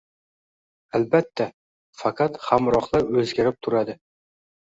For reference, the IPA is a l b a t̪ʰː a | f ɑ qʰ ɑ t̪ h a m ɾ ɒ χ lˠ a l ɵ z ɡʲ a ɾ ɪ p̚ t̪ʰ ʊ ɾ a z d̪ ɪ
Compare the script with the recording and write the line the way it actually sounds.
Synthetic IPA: a l b a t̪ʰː a | f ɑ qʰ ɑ t̪ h a m ɾ ɒ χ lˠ a ɾ ɵ z ɡʲ a ɾ ɪ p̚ t̪ʰ ʊ ɾ a d̪ ɪ